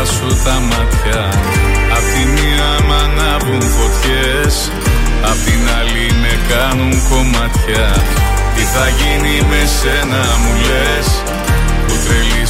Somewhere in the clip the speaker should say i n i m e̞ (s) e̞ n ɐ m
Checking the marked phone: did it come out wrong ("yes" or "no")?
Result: no